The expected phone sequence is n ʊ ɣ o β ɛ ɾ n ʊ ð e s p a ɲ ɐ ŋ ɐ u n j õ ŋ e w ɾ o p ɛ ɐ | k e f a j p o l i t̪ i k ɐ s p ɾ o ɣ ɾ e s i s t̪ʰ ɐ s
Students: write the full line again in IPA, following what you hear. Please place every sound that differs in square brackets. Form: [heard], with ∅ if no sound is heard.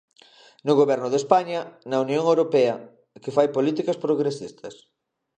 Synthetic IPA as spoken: n ʊ ɣ o β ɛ ɾ n ʊ ð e s p a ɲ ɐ [n] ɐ u n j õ ŋ e w ɾ o p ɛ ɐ | k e f a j p o l i t̪ i k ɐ s p ɾ o ɣ ɾ e s i s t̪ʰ ɐ s